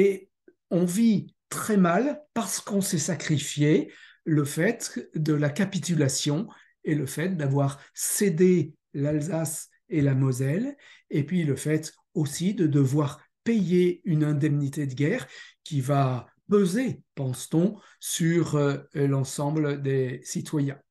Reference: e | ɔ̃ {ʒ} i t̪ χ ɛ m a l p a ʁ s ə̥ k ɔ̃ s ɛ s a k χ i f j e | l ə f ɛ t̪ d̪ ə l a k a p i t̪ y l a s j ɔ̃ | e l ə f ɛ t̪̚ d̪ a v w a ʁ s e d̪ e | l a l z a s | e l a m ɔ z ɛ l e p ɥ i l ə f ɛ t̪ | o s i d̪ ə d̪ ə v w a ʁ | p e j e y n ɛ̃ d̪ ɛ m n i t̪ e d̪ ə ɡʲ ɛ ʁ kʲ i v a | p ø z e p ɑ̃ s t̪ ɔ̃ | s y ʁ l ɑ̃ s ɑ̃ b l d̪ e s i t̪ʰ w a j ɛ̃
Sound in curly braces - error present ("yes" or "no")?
yes